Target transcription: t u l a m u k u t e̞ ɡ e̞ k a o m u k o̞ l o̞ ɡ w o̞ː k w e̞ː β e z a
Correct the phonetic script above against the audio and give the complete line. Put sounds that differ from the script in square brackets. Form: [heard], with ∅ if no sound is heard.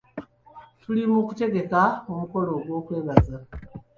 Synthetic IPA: t u l [i] m u k u t e̞ ɡ e̞ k a o m u k o̞ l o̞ ɡ w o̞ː k w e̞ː β [a] z a